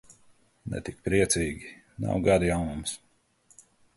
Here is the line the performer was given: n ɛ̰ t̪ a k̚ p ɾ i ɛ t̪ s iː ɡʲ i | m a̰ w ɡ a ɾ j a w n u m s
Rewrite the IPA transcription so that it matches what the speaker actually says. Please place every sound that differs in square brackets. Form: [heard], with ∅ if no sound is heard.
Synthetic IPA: n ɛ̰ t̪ [i] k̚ p ɾ i ɛ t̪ s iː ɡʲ i | [n] a̰ w ɡ a ɾ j a w n u m s